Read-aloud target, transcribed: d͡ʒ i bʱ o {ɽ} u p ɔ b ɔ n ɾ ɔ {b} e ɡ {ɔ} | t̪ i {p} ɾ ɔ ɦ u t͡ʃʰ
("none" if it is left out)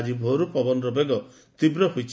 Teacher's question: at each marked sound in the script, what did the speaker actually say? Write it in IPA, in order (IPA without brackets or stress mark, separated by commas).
ɾ, b, ɔ, b